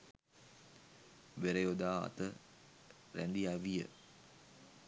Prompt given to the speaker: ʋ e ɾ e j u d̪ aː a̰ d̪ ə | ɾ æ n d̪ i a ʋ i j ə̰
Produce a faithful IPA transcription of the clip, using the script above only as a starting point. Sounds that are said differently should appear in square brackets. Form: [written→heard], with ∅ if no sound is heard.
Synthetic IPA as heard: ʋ e ɾ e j [u→o] d̪ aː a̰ [d̪→t̪] ə | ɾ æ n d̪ i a ʋ i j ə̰